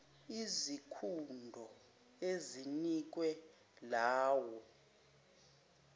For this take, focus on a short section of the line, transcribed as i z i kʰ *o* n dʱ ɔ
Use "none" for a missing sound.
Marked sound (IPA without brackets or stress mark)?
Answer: u